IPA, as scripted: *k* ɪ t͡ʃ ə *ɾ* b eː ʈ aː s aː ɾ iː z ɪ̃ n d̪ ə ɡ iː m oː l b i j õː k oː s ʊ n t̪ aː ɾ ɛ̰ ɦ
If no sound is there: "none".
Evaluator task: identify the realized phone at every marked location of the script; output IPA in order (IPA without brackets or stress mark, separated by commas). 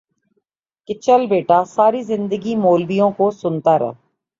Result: k, l